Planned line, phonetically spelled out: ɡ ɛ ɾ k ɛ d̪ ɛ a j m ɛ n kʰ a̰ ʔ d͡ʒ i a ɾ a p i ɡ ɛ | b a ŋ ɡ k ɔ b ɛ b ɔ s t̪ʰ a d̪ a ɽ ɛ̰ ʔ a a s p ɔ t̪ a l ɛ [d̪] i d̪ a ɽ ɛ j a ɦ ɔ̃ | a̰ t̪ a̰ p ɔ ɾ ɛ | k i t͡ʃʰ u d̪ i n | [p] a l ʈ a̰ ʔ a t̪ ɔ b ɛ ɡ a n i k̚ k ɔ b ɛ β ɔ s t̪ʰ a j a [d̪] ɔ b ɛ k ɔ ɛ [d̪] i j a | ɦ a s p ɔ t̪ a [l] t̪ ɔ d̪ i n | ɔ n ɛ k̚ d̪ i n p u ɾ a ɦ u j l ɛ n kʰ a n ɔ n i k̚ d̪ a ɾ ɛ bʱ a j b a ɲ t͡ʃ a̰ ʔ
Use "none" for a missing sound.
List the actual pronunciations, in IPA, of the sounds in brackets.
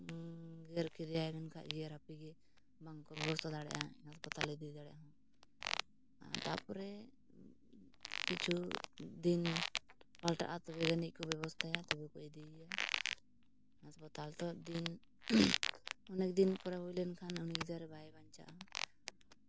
d̪, p, t̪, d̪, l

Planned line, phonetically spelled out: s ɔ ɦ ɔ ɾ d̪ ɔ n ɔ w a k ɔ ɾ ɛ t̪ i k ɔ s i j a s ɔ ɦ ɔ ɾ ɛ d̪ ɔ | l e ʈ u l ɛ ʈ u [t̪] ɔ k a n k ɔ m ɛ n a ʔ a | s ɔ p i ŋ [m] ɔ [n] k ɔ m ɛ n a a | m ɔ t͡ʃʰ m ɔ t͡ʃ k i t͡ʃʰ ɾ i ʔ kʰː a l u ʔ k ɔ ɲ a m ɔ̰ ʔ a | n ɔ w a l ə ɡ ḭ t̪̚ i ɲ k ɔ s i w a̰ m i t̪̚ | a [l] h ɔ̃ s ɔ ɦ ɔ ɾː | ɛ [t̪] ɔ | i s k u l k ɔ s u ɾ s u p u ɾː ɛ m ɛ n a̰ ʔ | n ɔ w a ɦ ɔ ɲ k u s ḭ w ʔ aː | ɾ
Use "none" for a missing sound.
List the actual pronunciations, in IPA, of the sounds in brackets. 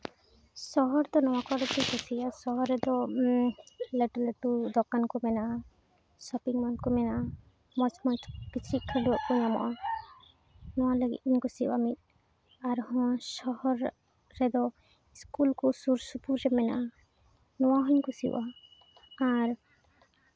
d̪, m, n, ɾ, d̪

